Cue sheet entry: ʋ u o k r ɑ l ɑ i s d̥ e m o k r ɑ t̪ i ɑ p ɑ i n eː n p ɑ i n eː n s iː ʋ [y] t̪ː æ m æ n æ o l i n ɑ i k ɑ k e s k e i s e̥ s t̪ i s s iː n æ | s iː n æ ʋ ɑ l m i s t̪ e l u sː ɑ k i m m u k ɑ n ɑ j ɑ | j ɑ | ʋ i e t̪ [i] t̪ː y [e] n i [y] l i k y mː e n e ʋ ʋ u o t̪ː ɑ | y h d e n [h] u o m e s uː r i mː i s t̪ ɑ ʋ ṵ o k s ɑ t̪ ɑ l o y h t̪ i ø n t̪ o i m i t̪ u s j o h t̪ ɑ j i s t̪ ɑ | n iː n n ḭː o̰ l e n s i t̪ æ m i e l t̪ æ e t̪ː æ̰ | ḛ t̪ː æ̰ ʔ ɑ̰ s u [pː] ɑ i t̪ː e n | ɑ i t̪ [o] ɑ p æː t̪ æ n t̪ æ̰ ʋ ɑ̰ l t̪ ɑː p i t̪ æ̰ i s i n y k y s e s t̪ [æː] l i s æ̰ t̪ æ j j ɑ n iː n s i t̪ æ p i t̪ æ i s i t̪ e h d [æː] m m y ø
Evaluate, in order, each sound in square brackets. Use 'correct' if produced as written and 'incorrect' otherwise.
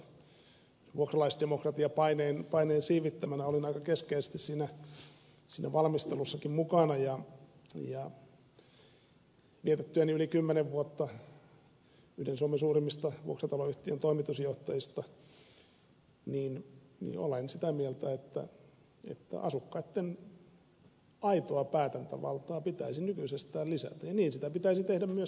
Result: incorrect: i, incorrect: e, incorrect: æ, correct, incorrect: s, incorrect: kː, correct, correct, incorrect: æ

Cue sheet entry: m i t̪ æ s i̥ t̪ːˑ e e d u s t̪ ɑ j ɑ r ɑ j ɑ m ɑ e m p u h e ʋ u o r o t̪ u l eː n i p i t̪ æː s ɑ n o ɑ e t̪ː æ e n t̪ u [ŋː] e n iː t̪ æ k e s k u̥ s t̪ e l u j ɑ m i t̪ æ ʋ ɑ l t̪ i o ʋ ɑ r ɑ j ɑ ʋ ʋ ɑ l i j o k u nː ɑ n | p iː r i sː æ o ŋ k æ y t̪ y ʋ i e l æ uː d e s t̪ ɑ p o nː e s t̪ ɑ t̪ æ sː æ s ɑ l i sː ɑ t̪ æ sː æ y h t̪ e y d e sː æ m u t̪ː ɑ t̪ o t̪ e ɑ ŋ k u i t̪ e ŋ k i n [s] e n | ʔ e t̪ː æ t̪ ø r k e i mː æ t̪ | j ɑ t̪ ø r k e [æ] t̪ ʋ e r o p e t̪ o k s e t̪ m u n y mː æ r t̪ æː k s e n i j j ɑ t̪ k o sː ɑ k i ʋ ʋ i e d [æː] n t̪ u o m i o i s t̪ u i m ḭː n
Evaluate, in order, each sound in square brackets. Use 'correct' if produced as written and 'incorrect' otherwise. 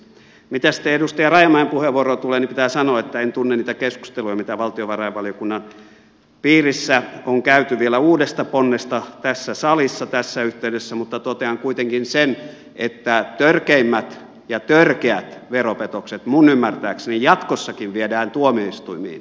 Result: incorrect: nː, correct, correct, correct

